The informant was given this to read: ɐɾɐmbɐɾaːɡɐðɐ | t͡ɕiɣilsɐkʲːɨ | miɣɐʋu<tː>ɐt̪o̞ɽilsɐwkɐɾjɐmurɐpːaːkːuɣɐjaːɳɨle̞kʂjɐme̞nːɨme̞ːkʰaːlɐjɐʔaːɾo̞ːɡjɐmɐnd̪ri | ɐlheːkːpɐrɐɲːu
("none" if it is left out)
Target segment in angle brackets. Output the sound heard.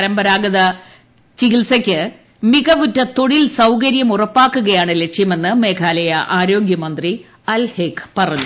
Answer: tː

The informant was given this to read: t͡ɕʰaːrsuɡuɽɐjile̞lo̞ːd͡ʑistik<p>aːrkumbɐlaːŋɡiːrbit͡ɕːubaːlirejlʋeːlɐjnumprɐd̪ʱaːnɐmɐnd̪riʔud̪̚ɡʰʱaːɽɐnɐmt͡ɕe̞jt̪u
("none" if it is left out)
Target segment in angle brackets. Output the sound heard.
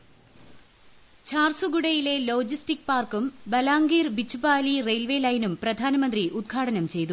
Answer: p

